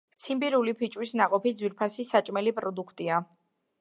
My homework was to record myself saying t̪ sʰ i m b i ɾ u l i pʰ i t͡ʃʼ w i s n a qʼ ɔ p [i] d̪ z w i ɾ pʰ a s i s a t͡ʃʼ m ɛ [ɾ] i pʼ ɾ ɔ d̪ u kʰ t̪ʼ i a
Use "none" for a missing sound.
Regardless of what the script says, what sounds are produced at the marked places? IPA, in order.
i, l

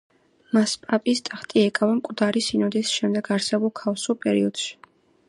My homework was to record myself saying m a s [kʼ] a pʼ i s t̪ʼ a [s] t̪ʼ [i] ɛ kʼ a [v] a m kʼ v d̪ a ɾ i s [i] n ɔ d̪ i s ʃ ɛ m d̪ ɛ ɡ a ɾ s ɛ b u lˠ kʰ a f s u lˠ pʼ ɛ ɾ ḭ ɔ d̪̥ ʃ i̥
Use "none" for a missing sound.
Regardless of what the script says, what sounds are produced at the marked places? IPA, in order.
pʼ, χ, i, v, i

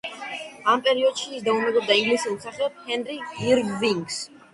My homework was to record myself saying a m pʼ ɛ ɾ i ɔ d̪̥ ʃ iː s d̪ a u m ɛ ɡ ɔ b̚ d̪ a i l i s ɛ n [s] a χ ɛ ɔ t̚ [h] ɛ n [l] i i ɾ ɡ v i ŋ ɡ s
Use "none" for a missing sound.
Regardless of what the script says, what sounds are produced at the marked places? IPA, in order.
s, h, ɾ

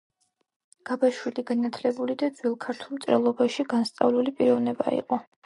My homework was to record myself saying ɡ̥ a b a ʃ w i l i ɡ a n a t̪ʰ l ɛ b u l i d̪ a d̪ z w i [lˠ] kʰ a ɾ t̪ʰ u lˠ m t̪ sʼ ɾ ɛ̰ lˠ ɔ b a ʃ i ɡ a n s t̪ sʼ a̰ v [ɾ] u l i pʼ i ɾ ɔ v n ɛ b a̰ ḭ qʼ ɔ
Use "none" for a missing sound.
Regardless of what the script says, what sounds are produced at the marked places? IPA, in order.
lˠ, l

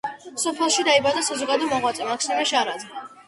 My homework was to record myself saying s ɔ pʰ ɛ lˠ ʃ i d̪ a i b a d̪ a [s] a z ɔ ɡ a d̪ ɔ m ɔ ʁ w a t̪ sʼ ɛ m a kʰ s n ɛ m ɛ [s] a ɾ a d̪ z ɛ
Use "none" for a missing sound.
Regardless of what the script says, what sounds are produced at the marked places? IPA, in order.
s, ʃ

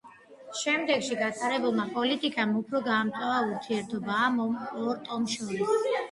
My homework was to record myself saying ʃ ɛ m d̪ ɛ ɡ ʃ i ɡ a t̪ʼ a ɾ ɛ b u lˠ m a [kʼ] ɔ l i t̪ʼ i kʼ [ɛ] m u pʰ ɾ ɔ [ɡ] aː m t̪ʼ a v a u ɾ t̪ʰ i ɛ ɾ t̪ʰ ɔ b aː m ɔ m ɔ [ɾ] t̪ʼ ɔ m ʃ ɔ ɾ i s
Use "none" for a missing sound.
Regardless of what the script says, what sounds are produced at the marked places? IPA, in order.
pʼ, a, ɡ, ɾ

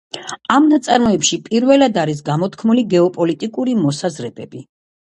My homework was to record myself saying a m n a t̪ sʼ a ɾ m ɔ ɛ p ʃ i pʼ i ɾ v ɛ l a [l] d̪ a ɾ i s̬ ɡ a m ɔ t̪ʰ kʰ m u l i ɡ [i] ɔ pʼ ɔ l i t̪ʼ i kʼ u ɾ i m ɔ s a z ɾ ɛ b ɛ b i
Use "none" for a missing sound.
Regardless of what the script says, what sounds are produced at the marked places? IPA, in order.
none, ɛ

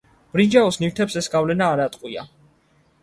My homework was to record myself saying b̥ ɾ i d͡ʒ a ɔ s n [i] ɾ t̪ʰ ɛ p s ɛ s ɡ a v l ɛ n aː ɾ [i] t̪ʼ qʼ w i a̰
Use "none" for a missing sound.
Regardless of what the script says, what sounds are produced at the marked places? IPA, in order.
i, a

